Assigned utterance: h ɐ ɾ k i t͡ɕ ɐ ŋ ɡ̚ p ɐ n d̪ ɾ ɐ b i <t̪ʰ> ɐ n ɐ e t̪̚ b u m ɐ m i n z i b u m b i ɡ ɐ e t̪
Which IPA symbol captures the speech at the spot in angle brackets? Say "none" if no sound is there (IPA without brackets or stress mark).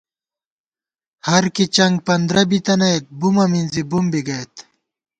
t̪